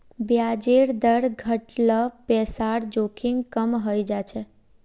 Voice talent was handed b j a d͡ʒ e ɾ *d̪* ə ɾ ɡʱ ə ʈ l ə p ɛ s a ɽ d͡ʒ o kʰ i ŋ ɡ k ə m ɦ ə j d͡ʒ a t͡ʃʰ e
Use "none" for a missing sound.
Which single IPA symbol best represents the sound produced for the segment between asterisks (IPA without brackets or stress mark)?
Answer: d̪